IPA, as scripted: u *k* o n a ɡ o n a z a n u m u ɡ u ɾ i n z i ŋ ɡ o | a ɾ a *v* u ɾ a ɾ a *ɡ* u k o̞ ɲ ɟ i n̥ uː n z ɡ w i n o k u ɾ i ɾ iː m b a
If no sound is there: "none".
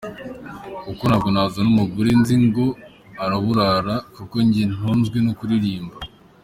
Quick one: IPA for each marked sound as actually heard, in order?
k, β, k

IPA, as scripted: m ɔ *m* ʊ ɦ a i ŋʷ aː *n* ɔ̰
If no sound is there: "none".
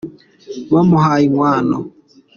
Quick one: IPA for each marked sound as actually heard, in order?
m, n

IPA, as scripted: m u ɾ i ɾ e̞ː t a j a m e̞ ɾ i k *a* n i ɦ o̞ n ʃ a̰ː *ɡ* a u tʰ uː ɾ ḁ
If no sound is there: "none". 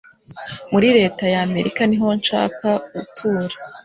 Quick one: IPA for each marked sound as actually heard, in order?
a, k

